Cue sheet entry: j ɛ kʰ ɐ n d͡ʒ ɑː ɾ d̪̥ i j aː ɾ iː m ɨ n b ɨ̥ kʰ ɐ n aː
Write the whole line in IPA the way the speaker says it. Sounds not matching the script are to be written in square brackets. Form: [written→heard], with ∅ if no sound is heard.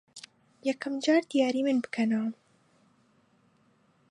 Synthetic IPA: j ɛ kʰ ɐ [n→m] d͡ʒ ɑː ɾ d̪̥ i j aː ɾ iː m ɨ n b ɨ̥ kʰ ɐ n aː